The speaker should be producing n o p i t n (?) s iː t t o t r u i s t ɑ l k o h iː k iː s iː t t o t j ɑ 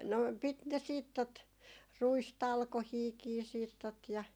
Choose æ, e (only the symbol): e